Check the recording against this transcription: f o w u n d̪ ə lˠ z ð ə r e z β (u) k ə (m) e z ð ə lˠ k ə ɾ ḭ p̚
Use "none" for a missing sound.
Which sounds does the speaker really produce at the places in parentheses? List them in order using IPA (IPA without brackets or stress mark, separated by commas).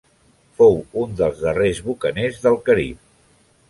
u, n